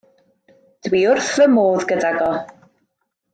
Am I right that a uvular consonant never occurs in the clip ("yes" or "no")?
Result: yes